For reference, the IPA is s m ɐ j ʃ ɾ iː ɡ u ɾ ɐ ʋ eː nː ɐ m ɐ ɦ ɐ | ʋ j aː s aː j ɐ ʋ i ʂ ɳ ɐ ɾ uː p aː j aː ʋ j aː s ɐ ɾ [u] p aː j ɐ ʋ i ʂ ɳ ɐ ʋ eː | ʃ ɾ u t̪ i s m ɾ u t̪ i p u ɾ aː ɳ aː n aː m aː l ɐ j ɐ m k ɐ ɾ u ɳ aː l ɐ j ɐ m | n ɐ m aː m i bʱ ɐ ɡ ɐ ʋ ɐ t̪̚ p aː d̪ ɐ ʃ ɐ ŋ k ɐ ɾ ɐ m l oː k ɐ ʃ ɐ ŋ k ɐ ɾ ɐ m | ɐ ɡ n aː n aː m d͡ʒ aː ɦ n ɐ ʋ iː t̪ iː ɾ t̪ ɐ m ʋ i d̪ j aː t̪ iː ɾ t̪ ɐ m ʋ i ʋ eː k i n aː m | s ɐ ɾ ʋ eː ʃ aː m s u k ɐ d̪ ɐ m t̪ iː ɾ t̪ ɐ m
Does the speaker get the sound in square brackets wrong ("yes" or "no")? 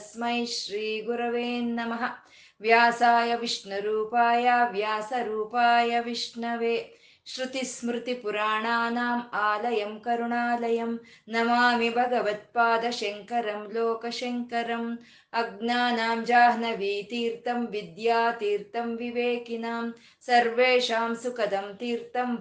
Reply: yes